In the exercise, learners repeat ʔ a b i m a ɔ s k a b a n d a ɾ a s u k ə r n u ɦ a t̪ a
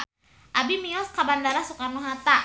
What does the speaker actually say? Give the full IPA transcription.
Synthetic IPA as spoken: ʔ a b i m i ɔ s k a b a n d a ɾ a s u k a r n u ɦ a t̪ a